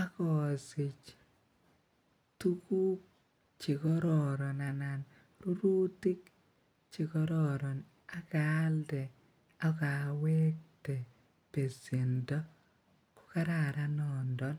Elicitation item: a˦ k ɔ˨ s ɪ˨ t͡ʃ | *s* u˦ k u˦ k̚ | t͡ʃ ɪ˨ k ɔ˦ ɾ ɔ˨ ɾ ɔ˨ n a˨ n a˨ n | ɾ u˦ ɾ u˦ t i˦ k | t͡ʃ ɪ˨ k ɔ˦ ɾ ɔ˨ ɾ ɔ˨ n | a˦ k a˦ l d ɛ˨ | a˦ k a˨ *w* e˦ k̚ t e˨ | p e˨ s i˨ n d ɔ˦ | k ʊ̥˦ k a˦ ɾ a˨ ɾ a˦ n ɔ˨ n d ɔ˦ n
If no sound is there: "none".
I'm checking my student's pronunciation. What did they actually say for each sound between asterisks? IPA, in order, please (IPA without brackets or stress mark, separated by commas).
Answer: t, w